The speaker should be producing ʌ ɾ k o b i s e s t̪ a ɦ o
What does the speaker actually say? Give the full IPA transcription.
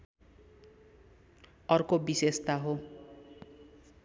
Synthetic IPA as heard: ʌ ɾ k o b i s e s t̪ a ɦ o